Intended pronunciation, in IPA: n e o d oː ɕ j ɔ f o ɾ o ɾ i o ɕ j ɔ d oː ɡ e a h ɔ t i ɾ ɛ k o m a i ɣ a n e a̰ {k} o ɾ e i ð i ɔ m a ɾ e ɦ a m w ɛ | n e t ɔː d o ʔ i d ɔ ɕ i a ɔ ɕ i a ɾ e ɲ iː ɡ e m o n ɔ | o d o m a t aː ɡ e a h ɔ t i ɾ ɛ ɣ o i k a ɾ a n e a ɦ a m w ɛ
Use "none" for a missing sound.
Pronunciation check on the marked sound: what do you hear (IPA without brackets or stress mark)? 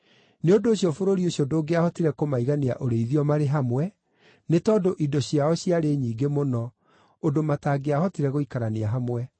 ʔ